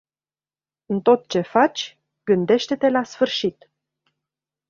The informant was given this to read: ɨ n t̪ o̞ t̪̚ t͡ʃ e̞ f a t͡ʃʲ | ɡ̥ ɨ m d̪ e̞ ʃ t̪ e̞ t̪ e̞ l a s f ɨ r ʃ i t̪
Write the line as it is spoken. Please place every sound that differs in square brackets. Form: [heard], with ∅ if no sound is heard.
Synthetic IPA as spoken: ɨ n t̪ o̞ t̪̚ t͡ʃ e̞ f a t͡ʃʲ | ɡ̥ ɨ [n] d̪ e̞ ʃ t̪ e̞ t̪ e̞ l a s f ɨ r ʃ i t̪